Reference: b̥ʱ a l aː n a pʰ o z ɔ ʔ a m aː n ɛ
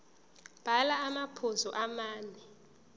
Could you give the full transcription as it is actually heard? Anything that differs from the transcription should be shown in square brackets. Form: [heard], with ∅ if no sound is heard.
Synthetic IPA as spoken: b̥ʱ a l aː [m] a pʰ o z ɔ ʔ a m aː n ɛ